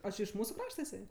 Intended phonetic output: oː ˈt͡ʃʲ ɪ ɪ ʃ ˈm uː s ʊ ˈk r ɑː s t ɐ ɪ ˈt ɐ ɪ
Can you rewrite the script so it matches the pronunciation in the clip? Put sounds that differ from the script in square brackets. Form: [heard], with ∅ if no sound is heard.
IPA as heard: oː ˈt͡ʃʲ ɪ ɪ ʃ ˈm uː s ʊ ˈk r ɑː [ʃ] t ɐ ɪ [ˈs] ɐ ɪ

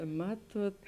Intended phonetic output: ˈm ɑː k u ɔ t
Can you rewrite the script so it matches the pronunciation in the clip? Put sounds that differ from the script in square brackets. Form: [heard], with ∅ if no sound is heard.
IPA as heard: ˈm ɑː [t] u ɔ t

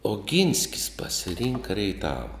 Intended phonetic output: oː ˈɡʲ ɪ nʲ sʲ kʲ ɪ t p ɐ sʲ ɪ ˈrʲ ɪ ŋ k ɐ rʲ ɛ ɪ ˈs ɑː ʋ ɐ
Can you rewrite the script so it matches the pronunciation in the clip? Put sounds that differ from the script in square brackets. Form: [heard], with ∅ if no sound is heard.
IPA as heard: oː ˈɡʲ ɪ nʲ sʲ kʲ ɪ [s] p ɐ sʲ ɪ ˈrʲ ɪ ŋ k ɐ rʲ ɛ ɪ [ˈt] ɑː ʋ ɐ

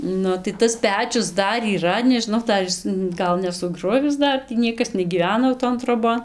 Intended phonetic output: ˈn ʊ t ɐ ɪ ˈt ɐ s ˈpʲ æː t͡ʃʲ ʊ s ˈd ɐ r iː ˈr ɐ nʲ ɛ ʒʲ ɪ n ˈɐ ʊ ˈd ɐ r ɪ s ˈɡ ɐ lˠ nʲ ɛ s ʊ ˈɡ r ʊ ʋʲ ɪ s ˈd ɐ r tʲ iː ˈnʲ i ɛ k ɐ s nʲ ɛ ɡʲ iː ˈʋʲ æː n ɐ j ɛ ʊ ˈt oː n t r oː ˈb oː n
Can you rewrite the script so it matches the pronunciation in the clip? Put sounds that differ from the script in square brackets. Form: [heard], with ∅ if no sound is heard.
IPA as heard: ˈn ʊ t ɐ ɪ ˈt ɐ s ˈpʲ æː t͡ʃʲ ʊ s ˈd ɐ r iː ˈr ɐ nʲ ɛ ʒʲ ɪ n ˈɐ ʊ ˈd ɐ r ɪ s ˈɡ ɐ lˠ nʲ ɛ s ʊ ˈɡ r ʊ ʋʲ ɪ s ˈd ɐ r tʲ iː ˈnʲ i ɛ k ɐ s nʲ ɛ ɡʲ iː ˈʋʲ æː n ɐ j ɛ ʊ ˈt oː n t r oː ˈb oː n

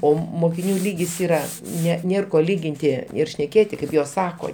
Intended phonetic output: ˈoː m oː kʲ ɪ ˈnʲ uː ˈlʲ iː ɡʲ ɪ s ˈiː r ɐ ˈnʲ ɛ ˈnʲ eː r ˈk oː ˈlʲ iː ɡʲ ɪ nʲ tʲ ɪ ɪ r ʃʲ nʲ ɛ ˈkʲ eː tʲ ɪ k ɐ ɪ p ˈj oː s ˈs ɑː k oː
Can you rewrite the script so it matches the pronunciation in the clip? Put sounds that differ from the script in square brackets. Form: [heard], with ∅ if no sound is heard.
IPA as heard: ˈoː m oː kʲ ɪ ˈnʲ uː ˈlʲ iː ɡʲ ɪ s ˈiː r ɐ ˈnʲ ɛ ˈnʲ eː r ˈk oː ˈlʲ iː ɡʲ ɪ nʲ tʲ ɪ ɪ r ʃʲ nʲ ɛ ˈkʲ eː tʲ ɪ k ɐ ɪ p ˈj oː s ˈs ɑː k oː

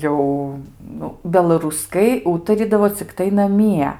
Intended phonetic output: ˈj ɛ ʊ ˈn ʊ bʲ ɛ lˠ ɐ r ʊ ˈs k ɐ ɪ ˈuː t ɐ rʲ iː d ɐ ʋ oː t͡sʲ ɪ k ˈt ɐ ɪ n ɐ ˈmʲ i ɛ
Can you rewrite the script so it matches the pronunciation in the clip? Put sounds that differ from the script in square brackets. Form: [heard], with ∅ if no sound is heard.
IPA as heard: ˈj ɛ ʊ ˈn ʊ bʲ ɛ lˠ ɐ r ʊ ˈs k ɐ ɪ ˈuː t ɐ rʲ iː d ɐ ʋ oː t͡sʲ ɪ k ˈt ɐ ɪ n ɐ ˈmʲ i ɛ

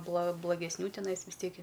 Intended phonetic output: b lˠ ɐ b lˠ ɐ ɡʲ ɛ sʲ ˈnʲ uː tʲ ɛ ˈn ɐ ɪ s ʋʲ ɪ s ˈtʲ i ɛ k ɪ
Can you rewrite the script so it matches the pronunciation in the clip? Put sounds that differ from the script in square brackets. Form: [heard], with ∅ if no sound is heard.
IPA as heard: b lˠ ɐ b lˠ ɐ ɡʲ ɛ sʲ ˈnʲ uː tʲ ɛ ˈn ɐ ɪ s ʋʲ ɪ s ˈtʲ i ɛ k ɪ

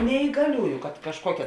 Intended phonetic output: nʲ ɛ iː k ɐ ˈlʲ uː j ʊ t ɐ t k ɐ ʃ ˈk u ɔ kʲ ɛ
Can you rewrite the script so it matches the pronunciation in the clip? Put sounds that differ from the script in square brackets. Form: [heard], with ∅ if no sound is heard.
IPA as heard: nʲ ɛ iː [ɡ] ɐ ˈlʲ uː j ʊ [k] ɐ t k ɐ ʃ ˈk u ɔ kʲ ɛ

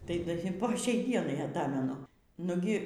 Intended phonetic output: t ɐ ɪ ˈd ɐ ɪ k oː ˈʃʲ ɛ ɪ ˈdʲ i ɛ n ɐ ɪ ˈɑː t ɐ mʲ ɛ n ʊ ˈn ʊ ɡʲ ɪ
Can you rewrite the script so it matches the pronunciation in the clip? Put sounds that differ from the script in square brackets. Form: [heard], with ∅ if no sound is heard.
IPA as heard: t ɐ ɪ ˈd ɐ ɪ [p] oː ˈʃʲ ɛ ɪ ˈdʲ i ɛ n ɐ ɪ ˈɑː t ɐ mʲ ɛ n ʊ ˈn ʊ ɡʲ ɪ

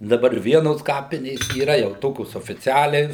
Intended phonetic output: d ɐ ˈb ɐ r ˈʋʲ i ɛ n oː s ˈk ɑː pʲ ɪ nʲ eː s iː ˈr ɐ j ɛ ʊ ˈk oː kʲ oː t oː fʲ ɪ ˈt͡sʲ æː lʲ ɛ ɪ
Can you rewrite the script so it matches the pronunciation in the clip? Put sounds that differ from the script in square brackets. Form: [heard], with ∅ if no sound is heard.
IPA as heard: d ɐ ˈb ɐ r ˈʋʲ i ɛ n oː s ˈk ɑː pʲ ɪ nʲ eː s iː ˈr ɐ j ɛ ʊ [ˈt] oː kʲ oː [s] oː fʲ ɪ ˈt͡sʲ æː lʲ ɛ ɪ

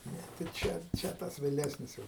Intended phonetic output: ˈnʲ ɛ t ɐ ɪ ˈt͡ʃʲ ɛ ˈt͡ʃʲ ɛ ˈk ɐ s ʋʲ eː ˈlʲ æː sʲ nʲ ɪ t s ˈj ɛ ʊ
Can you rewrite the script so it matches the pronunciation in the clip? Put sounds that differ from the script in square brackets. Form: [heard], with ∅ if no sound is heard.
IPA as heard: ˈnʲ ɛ t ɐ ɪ ˈt͡ʃʲ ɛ ˈt͡ʃʲ ɛ [ˈt] ɐ s ʋʲ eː ˈlʲ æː sʲ nʲ ɪ [∅] s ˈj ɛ ʊ

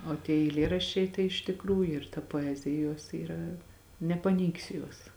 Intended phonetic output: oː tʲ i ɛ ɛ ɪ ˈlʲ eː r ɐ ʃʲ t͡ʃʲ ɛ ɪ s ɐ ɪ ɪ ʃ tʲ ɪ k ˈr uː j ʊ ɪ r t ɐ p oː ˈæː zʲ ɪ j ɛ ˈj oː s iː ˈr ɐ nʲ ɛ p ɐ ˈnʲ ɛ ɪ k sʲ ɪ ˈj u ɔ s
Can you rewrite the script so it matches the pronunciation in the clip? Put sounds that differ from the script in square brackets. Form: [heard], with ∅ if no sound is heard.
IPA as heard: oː tʲ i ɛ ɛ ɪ ˈlʲ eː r ɐ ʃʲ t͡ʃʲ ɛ ɪ [t] ɐ ɪ ɪ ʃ tʲ ɪ k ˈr uː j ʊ ɪ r t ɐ p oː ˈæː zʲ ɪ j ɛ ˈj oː s iː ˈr ɐ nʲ ɛ p ɐ ˈnʲ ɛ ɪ k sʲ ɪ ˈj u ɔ s

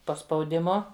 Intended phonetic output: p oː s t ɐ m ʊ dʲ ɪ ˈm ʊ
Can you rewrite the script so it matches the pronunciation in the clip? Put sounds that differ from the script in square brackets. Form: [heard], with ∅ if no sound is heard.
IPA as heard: p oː s [p] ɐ [∅] ʊ dʲ ɪ ˈm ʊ

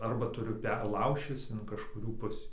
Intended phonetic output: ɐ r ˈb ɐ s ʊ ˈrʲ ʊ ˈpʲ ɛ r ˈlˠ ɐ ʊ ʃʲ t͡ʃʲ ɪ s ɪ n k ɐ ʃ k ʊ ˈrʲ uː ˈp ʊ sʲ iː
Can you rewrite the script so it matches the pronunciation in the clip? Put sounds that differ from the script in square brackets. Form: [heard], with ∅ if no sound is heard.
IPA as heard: ɐ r ˈb ɐ [t] ʊ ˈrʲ ʊ ˈpʲ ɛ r ˈlˠ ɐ ʊ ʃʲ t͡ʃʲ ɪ s ɪ n k ɐ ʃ k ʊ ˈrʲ uː ˈp ʊ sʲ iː

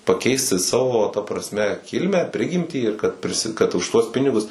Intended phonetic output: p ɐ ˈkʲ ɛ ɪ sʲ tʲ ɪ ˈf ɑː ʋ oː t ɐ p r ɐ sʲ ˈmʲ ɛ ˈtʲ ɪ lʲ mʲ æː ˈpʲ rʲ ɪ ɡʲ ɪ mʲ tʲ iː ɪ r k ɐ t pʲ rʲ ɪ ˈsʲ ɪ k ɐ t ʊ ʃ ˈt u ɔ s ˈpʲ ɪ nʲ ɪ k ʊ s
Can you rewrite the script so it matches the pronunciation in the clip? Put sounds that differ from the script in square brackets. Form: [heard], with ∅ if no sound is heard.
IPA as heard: p ɐ ˈkʲ ɛ ɪ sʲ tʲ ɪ [ˈs] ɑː ʋ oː t ɐ p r ɐ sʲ ˈmʲ ɛ [ˈkʲ] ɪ lʲ mʲ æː ˈpʲ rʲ ɪ ɡʲ ɪ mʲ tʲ iː ɪ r k ɐ t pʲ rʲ ɪ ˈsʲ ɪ k ɐ t ʊ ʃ ˈt u ɔ s ˈpʲ ɪ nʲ ɪ [ɡ] ʊ s

